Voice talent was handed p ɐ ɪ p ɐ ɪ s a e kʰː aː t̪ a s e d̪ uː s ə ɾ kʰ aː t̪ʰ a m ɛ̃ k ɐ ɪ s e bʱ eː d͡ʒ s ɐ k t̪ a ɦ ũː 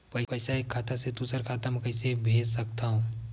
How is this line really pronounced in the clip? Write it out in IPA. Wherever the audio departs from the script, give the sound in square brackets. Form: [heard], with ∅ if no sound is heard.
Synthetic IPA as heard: p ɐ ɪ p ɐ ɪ s a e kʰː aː t̪ a s e d̪ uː s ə ɾ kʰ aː [t̪] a m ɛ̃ k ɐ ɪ s e bʱ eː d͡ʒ s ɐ k t̪ a ɦ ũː